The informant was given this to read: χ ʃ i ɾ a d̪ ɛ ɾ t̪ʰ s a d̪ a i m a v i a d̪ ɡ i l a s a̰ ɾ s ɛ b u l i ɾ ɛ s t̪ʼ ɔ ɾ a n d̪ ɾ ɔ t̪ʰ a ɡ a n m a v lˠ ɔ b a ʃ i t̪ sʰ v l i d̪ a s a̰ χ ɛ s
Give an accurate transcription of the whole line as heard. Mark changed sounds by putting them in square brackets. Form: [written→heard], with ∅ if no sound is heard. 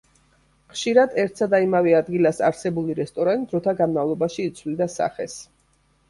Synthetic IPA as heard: χ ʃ i ɾ a d̪ ɛ ɾ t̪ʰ s a d̪ a i m a v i a d̪ ɡ i l a s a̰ ɾ s ɛ b u l i ɾ ɛ s t̪ʼ ɔ ɾ a n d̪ ɾ ɔ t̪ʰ a ɡ a n m a v lˠ ɔ b a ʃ [i→iː] t̪ sʰ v l i d̪ a s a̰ χ ɛ s